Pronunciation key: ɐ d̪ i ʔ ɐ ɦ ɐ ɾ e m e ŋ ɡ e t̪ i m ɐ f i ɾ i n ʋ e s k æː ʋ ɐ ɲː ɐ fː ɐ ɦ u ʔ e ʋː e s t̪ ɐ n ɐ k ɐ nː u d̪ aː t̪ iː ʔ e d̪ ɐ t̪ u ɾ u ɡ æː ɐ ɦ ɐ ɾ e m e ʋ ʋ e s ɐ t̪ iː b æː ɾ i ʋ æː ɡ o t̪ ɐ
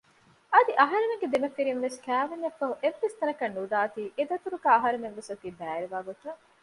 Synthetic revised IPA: ɐ d̪ i ʔ ɐ ɦ ɐ ɾ e m e ŋ ɡ e d̪ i m ɐ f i ɾ i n ʋ e s k æː ʋ ɐ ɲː ɐ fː ɐ ɦ u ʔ e ʋː e s t̪ ɐ n ɐ k ɐ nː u d̪ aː t̪ iː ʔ e d̪ ɐ t̪ u ɾ u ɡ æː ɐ ɦ ɐ ɾ e m e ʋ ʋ e s ɐ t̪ iː b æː ɾ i ʋ aː ɡ o t̪ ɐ